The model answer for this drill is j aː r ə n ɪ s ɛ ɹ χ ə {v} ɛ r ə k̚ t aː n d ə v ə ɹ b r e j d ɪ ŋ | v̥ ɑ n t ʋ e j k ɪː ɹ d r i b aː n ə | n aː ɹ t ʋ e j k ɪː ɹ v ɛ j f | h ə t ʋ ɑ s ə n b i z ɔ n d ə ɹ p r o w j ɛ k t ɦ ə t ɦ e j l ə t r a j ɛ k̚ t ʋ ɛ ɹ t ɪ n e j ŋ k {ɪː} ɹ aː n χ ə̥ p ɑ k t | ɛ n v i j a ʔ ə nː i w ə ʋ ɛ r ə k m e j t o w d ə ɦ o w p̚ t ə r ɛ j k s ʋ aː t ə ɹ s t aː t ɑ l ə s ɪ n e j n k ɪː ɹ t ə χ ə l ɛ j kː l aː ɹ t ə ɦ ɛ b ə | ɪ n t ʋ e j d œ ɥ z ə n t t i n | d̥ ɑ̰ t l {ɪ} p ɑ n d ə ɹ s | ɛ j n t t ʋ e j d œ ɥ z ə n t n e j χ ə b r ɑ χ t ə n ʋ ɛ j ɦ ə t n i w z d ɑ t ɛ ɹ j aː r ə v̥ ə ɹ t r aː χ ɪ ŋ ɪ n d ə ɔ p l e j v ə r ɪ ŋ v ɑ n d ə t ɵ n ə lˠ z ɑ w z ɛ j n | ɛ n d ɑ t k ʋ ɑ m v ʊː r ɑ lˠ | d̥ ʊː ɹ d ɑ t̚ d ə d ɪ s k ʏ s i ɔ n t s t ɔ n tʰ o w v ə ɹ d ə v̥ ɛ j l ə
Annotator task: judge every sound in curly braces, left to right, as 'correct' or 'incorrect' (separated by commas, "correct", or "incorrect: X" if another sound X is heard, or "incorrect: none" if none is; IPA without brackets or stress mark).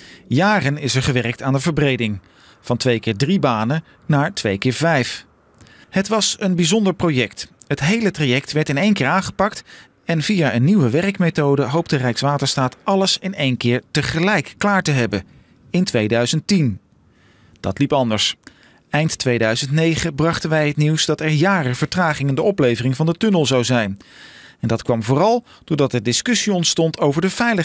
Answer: incorrect: ʋ, correct, incorrect: i